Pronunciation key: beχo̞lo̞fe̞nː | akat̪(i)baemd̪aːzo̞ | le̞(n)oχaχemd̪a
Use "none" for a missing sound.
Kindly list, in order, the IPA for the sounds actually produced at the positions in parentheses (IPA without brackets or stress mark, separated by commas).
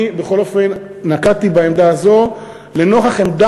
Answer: i, n